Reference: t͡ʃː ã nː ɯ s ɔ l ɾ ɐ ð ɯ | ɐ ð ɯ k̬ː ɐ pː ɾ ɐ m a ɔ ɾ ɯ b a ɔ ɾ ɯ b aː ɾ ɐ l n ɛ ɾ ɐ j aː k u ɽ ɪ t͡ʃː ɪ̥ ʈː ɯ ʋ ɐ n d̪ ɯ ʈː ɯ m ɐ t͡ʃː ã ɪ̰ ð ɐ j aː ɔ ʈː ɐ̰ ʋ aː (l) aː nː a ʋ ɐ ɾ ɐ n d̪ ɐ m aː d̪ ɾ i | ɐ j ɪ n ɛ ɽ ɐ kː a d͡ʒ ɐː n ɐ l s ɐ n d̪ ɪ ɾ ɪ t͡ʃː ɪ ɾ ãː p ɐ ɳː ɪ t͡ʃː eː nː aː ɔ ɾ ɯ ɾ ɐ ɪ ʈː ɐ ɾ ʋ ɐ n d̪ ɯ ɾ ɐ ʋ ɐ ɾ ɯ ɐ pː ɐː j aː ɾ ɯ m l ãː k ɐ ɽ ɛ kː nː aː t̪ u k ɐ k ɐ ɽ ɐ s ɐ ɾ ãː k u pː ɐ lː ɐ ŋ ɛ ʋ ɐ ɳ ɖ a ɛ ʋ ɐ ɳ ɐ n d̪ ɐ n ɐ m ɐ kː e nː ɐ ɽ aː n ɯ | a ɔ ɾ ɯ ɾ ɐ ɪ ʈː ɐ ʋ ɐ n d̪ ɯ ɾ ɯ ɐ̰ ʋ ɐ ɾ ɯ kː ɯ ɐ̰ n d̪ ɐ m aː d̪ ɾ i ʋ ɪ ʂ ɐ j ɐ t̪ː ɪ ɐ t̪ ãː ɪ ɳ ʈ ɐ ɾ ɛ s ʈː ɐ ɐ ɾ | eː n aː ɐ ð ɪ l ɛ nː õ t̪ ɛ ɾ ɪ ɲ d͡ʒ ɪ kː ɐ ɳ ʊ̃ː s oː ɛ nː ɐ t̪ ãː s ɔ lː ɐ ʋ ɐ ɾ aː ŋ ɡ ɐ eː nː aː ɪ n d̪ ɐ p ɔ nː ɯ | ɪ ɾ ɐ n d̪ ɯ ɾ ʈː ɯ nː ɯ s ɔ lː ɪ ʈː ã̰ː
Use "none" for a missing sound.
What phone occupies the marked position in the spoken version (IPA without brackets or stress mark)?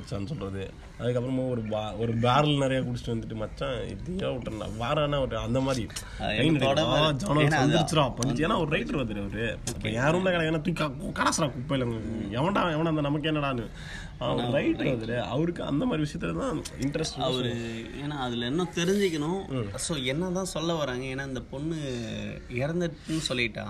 ɾ